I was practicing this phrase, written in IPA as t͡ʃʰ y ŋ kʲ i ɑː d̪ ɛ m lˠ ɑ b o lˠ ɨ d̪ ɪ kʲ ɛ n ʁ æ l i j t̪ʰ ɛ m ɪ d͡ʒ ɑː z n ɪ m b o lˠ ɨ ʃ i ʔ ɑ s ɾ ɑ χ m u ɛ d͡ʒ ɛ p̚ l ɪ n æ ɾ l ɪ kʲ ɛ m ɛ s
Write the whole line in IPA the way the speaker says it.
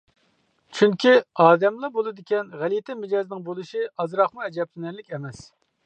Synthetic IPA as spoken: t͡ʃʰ y ŋ kʲ i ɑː d̪ ɛ m lˠ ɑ b o lˠ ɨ d̪ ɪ kʲ ɛ n ʁ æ l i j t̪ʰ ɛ m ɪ d͡ʒ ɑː z n ɪ ŋ b o lˠ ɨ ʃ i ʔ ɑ z ɾ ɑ χ m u ɛ d͡ʒ ɛ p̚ l ɪ n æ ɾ l ɪ kʲ ɛ m ɛ s

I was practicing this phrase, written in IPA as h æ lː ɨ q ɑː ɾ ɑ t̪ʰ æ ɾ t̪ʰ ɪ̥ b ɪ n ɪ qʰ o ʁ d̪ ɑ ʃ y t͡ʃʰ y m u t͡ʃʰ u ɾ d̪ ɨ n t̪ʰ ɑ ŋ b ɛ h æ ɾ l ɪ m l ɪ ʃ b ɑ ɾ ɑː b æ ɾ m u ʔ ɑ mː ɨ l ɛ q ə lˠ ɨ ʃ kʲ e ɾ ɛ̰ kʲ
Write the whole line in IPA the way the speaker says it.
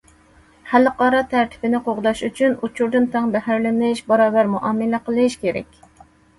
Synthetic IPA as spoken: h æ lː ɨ q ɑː ɾ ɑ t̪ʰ æ ɾ t̪ʰ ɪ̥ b ɪ n ɪ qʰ o ʁ d̪ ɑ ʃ y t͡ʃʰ y n u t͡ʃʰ u ɾ d̪ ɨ n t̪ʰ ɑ ŋ b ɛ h æ ɾ l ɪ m l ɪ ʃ b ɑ ɾ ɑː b æ ɾ m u ʔ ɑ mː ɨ l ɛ q ə lˠ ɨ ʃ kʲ e ɾ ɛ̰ kʲ

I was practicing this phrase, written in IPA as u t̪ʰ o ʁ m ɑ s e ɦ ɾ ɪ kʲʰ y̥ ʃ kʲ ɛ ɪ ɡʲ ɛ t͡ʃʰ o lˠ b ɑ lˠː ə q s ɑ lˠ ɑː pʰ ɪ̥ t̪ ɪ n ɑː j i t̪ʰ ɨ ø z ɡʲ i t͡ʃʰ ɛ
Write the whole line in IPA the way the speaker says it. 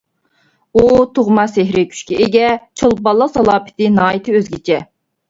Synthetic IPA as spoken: u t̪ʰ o ʁ m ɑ s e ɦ ɾ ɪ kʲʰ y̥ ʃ kʲ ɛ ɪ ɡʲ ɛ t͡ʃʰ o lˠ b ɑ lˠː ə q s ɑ lˠ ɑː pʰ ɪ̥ t̪ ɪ n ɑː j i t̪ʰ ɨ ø z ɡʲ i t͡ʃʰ ɛ

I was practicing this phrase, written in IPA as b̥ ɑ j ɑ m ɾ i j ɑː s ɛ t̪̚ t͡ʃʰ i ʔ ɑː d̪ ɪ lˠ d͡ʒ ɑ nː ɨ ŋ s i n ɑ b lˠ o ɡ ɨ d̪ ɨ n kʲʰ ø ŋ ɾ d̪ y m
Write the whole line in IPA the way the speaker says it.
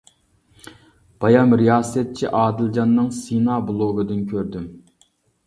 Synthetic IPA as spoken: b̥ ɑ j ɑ m ɾ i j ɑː s ɛ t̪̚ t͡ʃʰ i ʔ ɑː d̪ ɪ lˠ d͡ʒ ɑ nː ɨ ŋ s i n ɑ b lˠ o ɡ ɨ d̪ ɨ n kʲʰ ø ɾ d̪ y m

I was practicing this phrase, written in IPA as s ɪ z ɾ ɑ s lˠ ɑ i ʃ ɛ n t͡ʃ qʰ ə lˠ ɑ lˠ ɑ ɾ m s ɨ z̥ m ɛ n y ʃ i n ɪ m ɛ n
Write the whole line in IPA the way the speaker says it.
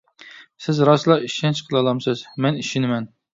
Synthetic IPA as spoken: s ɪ z ɾ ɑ s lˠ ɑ i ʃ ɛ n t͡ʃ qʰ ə lˠ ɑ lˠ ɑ m s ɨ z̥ m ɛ n i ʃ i n ɪ m ɛ n

